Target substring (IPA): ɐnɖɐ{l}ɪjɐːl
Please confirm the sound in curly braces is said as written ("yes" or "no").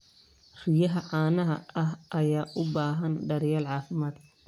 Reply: no